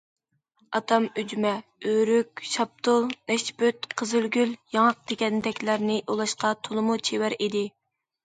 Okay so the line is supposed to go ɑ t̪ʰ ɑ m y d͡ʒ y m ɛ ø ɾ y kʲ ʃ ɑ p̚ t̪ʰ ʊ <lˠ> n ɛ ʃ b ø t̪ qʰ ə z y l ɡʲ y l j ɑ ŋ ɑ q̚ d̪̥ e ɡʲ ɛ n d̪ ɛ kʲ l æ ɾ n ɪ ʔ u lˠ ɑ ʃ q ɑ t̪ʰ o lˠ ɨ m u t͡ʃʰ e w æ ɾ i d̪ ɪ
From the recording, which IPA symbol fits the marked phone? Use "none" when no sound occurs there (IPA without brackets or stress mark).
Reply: lˠ